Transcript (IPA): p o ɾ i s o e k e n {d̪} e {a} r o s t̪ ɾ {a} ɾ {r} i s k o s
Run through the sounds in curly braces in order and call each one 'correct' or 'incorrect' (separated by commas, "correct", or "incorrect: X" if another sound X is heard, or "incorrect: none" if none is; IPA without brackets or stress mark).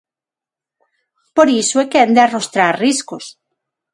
correct, correct, correct, correct